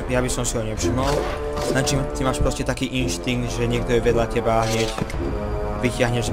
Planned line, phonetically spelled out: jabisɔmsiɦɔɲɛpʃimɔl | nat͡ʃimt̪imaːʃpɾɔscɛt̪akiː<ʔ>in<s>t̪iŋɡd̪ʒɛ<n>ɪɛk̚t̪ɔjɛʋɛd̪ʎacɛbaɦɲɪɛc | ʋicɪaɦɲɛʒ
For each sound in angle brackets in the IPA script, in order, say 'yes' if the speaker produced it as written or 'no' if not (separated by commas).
yes, no, no